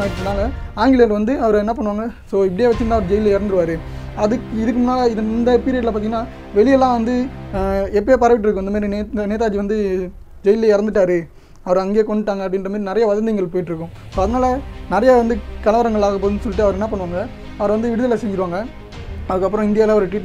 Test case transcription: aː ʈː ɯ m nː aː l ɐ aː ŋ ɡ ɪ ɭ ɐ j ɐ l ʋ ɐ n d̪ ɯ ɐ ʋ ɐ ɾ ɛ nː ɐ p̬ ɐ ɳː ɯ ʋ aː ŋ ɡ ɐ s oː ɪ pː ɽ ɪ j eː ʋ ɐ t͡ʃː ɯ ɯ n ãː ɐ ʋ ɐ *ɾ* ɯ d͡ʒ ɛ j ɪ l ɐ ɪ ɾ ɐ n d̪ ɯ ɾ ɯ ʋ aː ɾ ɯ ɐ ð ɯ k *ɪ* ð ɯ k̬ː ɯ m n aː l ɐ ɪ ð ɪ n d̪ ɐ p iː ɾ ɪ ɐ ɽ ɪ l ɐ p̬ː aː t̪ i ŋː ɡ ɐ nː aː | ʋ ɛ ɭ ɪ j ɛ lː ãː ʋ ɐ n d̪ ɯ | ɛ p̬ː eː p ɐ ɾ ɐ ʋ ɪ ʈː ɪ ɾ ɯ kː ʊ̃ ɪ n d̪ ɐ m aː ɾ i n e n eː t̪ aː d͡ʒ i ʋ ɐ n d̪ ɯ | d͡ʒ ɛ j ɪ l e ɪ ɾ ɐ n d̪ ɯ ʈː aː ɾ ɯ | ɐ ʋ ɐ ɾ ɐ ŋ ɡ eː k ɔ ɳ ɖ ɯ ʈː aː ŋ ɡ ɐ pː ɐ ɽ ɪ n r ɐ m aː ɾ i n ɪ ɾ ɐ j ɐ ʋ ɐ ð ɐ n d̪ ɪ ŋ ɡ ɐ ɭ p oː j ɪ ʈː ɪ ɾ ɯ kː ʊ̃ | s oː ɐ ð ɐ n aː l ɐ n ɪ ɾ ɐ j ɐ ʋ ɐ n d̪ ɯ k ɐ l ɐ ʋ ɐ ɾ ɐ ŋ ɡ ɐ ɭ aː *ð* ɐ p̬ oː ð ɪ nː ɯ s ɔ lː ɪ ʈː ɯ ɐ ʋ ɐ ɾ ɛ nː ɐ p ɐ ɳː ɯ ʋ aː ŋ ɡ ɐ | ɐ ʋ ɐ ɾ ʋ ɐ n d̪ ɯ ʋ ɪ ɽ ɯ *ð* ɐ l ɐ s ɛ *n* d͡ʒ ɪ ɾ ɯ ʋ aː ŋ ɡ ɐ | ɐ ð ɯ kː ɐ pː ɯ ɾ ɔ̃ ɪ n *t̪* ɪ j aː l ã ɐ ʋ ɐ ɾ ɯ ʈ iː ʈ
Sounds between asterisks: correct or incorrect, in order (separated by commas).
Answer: correct, correct, incorrect, correct, incorrect, incorrect